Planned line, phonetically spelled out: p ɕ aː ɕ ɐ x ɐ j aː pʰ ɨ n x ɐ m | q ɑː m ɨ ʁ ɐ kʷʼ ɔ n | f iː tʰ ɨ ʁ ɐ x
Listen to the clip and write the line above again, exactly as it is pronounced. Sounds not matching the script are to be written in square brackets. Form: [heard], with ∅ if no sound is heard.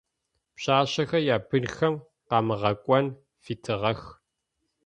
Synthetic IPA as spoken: p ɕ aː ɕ ɐ x ɐ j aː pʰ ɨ n x ɐ m | q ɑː m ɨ ʁ ɐ kʷʼ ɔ n | f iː tʰ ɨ ʁ ɐ x